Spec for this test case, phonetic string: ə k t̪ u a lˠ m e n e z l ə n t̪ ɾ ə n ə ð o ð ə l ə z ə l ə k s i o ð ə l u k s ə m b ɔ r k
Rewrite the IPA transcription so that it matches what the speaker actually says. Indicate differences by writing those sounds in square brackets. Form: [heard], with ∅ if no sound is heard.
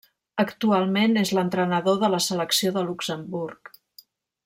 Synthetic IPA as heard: ə k t̪ u a lˠ m e n e z l ə n t̪ ɾ ə n ə ð o ð ə l ə [s] ə l ə k s i o ð ə l u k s ə m b [u] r k